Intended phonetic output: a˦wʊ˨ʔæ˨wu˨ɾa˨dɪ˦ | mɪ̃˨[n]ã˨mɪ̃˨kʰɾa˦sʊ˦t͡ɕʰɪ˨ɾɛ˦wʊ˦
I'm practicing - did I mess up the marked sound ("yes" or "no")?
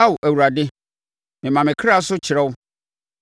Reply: yes